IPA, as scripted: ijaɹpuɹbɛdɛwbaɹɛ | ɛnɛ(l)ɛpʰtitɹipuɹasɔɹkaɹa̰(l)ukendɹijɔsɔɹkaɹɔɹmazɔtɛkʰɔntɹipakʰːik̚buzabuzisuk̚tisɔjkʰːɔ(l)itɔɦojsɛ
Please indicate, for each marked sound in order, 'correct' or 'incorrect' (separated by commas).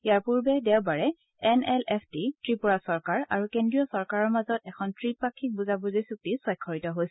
correct, incorrect, incorrect